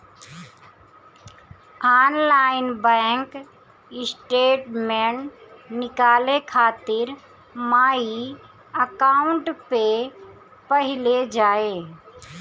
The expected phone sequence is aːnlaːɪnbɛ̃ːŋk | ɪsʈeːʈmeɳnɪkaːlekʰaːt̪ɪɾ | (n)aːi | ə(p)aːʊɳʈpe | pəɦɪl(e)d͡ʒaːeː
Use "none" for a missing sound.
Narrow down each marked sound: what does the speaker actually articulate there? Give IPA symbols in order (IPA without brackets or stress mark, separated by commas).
m, k, e